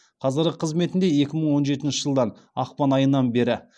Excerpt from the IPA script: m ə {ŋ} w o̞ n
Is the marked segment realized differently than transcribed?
yes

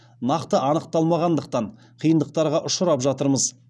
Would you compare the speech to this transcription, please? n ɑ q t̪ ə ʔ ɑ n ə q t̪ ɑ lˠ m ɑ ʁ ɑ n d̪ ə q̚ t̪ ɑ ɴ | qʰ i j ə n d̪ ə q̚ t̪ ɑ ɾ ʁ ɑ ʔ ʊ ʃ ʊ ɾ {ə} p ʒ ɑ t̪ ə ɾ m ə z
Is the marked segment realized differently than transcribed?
yes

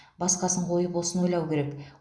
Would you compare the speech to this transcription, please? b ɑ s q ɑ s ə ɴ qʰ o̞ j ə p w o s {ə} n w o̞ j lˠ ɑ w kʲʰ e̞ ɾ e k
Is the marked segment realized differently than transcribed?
no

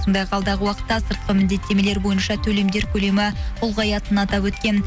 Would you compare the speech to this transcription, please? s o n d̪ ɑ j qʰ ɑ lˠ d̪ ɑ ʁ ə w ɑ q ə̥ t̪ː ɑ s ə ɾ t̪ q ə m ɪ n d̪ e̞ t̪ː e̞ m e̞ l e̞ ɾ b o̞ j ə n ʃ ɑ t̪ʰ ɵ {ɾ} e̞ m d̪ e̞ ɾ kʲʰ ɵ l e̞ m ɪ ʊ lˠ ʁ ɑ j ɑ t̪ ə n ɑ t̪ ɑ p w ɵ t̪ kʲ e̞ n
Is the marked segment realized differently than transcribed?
yes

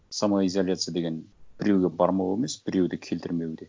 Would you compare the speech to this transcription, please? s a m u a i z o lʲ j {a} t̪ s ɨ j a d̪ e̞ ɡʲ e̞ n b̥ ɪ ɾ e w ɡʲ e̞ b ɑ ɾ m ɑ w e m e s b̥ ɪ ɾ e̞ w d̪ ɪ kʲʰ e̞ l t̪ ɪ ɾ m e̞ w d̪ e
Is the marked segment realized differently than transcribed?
no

